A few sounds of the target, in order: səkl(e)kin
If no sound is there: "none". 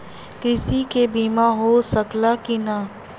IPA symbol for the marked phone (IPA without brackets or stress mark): a